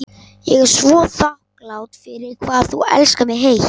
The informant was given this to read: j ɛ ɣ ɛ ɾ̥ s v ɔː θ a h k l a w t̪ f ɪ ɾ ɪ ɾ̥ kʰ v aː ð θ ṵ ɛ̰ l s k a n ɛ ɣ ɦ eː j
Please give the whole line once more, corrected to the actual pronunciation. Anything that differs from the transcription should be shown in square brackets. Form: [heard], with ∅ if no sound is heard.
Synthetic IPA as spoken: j ɛ ɣ ɛ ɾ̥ s v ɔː θ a h k l a w t̪ f ɪ ɾ ɪ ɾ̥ kʰ v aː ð θ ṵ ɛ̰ l s k a [m] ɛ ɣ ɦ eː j